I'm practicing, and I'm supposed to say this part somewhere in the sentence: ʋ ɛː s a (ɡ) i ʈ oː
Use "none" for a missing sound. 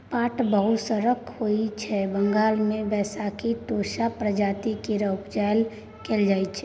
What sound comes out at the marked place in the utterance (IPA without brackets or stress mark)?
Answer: k